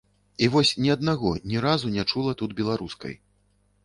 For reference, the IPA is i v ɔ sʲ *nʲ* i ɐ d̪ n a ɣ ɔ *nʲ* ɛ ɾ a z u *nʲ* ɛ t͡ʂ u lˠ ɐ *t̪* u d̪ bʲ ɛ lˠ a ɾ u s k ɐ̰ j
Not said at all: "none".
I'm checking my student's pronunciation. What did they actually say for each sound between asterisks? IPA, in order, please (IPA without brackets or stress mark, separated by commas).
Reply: nʲ, nʲ, nʲ, t̪